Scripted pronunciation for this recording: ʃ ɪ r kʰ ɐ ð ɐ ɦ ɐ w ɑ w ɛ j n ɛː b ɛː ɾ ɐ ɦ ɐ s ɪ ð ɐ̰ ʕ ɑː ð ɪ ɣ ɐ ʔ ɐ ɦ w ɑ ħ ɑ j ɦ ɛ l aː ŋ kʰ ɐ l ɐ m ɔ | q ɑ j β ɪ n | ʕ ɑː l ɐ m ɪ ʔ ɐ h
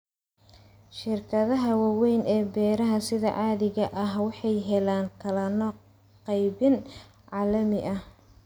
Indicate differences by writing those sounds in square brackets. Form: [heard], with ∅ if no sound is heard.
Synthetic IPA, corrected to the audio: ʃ ɪ r kʰ ɐ ð ɐ ɦ ɐ w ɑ w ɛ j n ɛː b ɛː ɾ ɐ ɦ ɐ s ɪ ð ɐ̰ ʕ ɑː ð ɪ ɣ ɐ ʔ ɐ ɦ w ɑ ħ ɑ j ɦ ɛ l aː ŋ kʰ ɐ l ɐ [n] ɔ | q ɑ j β ɪ n | ʕ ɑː l ɐ m ɪ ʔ ɐ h